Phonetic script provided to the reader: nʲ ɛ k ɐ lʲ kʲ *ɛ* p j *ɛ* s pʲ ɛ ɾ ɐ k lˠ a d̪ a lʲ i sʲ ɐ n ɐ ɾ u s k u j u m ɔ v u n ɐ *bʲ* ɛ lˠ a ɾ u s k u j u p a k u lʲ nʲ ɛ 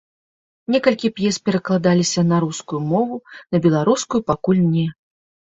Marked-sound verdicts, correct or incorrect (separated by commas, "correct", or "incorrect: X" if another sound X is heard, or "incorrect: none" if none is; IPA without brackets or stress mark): incorrect: i, correct, correct